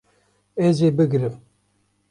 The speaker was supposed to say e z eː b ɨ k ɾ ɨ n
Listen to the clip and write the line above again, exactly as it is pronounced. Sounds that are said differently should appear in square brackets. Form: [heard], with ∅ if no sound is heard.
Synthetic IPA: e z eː b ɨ [ɡ] ɾ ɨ [m]